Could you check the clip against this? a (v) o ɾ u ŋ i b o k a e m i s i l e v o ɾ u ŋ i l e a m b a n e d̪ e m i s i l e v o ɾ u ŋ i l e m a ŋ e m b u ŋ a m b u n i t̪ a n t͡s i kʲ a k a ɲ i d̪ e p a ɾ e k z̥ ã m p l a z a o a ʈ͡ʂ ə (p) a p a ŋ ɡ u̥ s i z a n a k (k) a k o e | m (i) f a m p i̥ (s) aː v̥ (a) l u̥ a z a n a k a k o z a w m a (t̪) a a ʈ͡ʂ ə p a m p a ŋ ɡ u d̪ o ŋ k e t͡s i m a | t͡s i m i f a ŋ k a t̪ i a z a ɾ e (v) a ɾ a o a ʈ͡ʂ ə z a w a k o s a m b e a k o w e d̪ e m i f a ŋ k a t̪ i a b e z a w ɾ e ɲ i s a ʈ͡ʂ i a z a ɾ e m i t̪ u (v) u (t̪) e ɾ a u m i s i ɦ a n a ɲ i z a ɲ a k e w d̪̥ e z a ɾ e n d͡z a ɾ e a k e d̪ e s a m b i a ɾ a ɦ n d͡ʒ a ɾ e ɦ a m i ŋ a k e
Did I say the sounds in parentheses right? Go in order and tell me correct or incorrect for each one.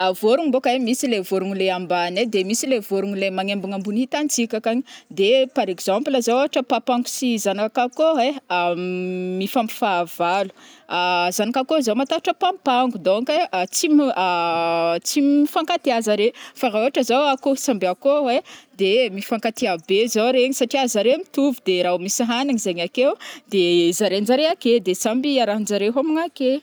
correct, correct, correct, correct, incorrect: f, correct, correct, incorrect: f, correct, incorrect: d̪

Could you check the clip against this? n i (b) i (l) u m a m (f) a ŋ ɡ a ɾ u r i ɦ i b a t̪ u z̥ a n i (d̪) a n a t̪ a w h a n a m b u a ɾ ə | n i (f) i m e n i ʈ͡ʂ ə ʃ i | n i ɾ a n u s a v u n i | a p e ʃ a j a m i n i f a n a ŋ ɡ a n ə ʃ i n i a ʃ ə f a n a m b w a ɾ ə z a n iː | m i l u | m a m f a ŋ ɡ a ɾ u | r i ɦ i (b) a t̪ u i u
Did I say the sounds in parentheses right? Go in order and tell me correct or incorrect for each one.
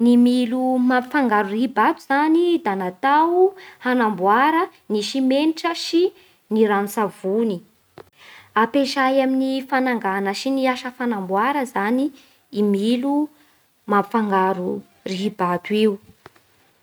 incorrect: m, correct, correct, correct, incorrect: ʃ, correct

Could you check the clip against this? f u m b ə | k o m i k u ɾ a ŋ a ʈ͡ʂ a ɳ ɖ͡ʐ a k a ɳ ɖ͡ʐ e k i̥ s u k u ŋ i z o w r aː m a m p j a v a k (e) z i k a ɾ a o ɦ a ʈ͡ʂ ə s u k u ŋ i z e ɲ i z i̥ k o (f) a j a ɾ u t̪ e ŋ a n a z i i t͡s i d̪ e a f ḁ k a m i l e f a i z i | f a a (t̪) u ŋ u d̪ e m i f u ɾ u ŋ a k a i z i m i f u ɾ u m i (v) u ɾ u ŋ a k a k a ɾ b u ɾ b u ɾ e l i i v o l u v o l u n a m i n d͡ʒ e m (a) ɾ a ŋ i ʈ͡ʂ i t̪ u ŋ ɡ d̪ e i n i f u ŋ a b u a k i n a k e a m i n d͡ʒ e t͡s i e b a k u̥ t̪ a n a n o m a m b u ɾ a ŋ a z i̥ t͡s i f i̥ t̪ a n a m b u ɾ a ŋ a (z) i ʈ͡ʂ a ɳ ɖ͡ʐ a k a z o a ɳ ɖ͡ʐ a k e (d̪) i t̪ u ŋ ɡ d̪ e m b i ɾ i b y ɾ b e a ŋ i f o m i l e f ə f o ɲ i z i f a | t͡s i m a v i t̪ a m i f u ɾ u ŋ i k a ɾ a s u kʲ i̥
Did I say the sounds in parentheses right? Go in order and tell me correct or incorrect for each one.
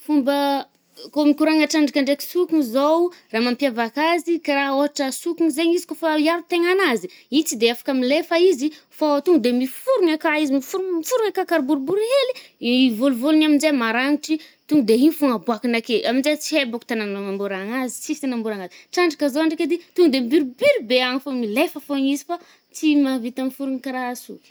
incorrect: a, correct, correct, incorrect: f, correct, correct, correct

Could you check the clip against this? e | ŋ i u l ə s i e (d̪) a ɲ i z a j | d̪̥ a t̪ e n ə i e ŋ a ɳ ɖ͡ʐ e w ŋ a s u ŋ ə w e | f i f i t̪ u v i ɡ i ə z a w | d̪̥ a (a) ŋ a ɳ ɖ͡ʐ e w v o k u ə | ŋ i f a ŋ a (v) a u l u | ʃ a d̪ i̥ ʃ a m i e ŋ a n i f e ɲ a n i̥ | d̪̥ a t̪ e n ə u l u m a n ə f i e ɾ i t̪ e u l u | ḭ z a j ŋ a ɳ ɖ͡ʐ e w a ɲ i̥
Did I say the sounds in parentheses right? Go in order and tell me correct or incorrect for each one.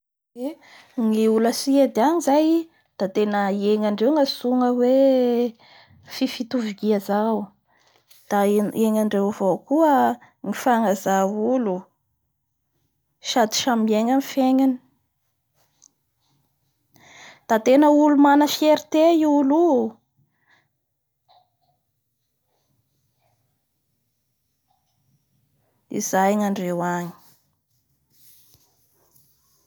correct, incorrect: e, incorrect: z

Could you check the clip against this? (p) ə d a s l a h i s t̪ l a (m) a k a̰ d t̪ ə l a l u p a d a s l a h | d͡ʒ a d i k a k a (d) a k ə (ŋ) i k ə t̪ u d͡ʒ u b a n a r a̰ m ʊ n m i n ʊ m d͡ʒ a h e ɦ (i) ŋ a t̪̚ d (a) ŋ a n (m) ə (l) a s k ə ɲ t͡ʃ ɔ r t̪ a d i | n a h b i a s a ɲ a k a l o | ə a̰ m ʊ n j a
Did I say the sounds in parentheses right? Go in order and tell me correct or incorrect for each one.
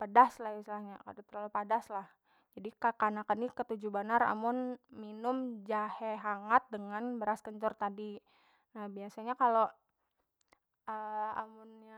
correct, incorrect: ɲ, incorrect: n, incorrect: n, incorrect: a, incorrect: ə, incorrect: b, incorrect: ɾ

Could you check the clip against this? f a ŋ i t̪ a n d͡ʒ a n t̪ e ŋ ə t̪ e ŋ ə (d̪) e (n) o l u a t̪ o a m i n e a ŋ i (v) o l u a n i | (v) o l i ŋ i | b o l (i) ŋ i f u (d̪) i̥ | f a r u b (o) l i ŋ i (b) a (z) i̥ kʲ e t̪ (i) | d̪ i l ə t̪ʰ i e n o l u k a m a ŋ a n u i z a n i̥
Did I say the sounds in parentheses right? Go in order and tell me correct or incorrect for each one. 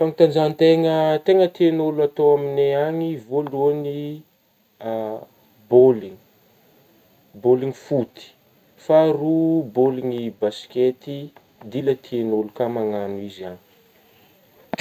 incorrect: t̪, correct, correct, incorrect: b, correct, incorrect: t̪, correct, correct, incorrect: s, correct

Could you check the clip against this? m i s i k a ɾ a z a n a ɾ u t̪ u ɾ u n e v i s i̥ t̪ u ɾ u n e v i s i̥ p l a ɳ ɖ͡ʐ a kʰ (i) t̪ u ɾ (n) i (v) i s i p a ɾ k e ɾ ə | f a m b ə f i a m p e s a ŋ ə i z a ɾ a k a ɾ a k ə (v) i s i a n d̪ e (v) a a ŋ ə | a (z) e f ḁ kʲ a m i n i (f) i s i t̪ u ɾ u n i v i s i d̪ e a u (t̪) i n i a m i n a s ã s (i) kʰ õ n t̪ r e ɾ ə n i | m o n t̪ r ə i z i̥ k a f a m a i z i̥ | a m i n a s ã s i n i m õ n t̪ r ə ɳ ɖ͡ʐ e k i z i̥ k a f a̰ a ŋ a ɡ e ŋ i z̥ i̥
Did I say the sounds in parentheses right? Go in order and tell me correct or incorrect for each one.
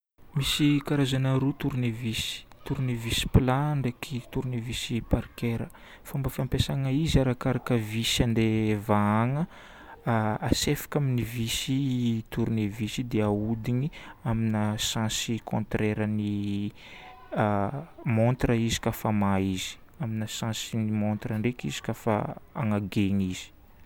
correct, correct, correct, correct, correct, incorrect: s, incorrect: v, incorrect: d̪, correct

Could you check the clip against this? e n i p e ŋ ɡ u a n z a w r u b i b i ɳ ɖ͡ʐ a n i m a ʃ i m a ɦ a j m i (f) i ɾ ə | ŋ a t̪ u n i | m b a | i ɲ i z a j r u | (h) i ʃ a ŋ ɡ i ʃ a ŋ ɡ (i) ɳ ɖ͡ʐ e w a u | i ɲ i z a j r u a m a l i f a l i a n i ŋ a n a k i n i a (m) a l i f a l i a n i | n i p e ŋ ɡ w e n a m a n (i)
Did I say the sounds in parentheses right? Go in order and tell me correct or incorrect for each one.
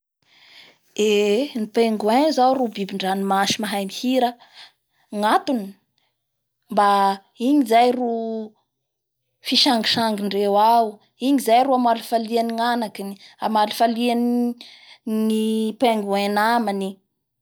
incorrect: h, incorrect: f, correct, correct, correct

